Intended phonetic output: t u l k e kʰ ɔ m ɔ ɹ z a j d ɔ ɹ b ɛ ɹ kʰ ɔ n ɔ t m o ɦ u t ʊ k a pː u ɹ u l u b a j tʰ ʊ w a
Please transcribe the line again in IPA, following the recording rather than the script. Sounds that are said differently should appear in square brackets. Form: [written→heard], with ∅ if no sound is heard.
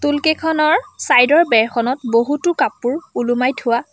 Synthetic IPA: t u l k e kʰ ɔ [m→n] ɔ ɹ [z→s] a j d ɔ ɹ b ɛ ɹ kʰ ɔ n ɔ t [m→b] o ɦ u t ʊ k a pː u ɹ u l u [b→m] a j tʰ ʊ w a